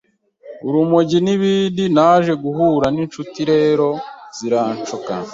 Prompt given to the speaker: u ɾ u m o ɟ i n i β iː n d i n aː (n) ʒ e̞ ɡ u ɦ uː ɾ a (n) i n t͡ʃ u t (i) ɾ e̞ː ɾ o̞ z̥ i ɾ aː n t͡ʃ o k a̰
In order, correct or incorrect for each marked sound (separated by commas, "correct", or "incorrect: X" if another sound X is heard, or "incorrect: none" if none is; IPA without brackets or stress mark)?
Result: incorrect: none, correct, correct